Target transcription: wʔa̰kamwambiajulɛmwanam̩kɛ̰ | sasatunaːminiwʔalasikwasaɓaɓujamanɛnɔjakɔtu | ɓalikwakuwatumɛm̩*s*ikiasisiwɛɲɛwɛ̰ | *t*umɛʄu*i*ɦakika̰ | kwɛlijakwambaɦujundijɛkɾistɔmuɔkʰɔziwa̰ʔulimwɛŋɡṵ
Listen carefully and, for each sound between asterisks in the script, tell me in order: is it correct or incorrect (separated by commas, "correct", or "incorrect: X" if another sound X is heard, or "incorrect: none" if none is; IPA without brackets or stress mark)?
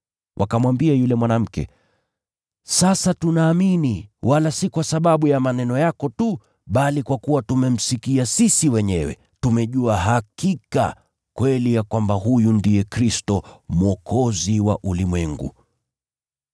correct, correct, incorrect: a